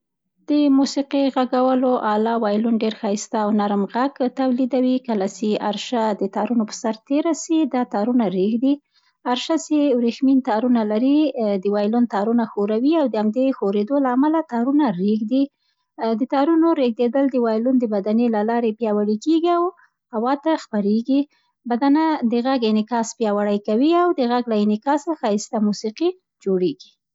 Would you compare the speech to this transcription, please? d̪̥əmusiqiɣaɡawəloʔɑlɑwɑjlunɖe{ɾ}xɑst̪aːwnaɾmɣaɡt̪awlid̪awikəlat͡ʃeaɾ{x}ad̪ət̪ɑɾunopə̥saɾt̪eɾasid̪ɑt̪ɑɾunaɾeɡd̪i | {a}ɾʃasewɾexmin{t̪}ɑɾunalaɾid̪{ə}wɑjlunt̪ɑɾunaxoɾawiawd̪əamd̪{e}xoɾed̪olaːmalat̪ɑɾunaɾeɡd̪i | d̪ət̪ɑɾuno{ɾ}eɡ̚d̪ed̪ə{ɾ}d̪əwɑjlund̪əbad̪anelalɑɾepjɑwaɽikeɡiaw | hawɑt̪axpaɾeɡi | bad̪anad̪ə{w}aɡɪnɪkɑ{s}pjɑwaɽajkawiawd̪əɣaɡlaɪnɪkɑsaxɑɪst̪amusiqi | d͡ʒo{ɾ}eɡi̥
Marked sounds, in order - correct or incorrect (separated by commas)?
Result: correct, incorrect, correct, correct, correct, correct, correct, incorrect, incorrect, correct, incorrect